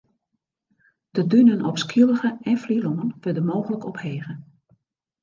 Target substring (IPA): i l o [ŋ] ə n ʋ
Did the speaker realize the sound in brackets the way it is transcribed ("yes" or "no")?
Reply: yes